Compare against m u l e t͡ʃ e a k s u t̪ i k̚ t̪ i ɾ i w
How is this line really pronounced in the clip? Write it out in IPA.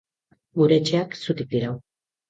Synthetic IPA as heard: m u ɾ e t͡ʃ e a k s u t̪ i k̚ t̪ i ɾ a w